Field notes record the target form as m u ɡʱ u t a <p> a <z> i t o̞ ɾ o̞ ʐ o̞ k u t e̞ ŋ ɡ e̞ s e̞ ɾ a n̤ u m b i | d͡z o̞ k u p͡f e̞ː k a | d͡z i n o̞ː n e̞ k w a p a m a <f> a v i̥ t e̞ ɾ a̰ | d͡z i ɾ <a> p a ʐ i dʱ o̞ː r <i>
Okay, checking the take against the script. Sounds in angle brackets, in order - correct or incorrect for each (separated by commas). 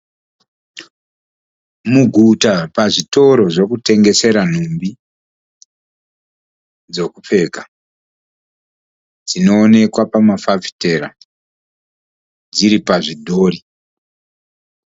correct, incorrect, correct, incorrect, correct